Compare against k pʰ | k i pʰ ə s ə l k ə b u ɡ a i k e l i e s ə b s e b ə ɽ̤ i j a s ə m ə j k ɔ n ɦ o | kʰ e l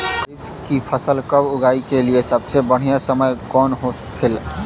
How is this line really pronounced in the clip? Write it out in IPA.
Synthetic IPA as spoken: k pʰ | k i pʰ ə s ə l k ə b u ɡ a i k e l i e s ə b s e b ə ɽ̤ i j a s ə m ə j k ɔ n ɦ o | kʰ e l